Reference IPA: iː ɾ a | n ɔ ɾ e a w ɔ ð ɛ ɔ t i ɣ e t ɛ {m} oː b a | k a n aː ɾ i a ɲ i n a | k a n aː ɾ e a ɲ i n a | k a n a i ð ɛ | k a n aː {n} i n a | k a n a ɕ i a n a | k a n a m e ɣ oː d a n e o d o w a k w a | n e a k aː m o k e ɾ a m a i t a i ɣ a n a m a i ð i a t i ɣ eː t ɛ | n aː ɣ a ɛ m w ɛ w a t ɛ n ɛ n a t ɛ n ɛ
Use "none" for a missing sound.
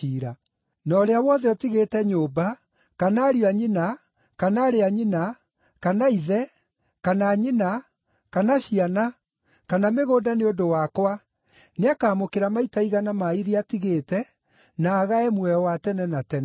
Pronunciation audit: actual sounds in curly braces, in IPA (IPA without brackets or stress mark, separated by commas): ɲ, ɲ